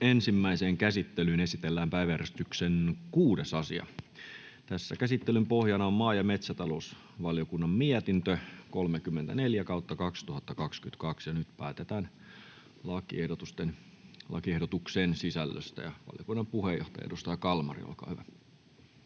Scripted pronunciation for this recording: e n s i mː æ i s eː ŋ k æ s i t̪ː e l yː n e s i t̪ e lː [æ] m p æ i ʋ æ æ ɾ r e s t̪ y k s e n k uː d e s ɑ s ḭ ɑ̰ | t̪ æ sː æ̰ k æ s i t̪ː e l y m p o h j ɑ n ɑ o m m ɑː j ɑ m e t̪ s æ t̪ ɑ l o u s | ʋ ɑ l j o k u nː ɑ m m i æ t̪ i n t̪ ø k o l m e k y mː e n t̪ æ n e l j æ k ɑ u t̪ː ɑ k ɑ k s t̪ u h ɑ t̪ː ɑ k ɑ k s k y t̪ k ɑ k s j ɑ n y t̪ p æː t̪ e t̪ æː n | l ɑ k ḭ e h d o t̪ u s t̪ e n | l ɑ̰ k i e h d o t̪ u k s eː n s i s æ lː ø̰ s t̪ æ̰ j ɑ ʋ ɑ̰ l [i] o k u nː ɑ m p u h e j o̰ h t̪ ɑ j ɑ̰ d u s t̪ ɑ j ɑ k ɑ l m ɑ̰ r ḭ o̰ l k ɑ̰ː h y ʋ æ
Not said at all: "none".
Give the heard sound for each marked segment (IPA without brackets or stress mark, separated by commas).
æː, j